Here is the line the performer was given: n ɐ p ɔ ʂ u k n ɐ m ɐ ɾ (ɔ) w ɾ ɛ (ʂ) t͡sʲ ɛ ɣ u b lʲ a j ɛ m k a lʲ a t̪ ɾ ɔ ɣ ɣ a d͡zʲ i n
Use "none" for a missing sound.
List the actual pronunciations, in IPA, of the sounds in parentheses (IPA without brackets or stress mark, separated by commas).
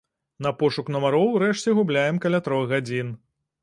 ɔ, ʂ